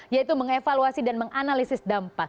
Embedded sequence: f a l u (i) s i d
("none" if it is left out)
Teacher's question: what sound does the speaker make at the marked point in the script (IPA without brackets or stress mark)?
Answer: a